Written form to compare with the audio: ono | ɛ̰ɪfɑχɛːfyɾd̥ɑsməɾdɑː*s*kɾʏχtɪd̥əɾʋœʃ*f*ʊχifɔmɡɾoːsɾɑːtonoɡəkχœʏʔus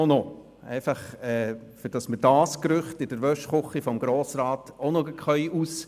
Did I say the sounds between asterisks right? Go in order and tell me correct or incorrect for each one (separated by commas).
correct, incorrect